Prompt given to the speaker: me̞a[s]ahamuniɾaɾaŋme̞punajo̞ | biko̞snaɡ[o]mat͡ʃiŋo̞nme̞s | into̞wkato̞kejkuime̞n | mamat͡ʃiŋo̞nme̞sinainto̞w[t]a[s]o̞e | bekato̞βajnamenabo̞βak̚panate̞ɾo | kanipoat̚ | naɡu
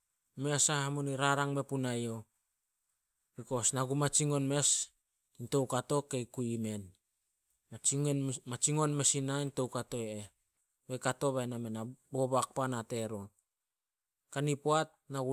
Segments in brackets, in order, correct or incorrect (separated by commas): correct, incorrect, incorrect, incorrect